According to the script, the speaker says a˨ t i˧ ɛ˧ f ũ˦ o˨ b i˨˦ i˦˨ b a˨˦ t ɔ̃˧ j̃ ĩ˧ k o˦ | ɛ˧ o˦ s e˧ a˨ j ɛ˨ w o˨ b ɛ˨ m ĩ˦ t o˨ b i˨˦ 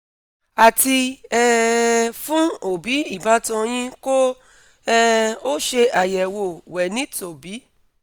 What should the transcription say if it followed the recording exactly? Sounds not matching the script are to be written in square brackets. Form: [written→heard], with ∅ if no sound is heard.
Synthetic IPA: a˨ t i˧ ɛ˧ f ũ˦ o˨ b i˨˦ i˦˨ b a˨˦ t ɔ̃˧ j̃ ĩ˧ k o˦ | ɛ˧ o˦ [s→ʃ] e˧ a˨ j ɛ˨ w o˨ [b→w] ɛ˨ [m→n] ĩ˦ t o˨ b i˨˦